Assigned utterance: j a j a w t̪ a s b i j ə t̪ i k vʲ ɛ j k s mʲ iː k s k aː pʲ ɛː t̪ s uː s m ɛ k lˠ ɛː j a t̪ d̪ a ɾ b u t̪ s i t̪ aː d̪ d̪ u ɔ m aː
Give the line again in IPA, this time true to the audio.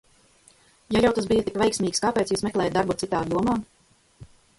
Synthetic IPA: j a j a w t̪ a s b i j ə t̪ i k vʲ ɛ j k s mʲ iː k s k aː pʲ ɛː t̪ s uː s m ɛ k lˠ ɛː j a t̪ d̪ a ɾ b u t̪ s i t̪ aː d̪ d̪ u ɔ m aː

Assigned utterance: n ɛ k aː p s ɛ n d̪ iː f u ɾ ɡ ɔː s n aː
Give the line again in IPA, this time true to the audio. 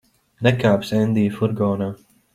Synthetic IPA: n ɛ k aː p s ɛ n d̪ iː f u ɾ ɡ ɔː n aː

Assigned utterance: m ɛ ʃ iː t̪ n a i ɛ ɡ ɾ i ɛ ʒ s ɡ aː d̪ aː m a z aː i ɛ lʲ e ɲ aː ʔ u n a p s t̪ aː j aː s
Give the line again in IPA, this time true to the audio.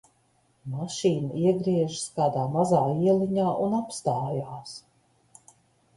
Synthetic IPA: m a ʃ iː n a i ɛ ɡ ɾ i ɛ ʒ s k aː d̪ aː m a z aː i ɛ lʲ i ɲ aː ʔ u n a p s t̪ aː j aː s

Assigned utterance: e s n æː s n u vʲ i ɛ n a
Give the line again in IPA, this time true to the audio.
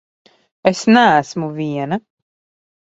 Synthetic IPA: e s n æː s m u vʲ i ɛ n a

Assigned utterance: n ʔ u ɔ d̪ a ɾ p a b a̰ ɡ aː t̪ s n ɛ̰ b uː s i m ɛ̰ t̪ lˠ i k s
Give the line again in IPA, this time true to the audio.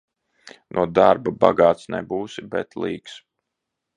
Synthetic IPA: n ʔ u ɔ d̪ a ɾ b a b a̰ ɡ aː t̪ s n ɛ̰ b uː s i b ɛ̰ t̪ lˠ iː k s

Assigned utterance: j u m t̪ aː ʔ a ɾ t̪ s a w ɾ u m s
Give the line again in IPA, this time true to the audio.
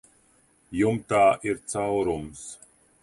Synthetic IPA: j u m t̪ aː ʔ i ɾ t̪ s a w ɾ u m s

